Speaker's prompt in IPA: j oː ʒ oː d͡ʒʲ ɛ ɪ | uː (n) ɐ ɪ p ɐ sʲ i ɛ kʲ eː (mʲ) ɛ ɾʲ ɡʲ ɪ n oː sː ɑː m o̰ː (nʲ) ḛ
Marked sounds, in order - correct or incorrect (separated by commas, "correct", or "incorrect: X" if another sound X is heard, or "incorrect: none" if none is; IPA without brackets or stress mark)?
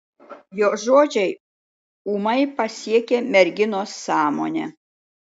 incorrect: m, correct, correct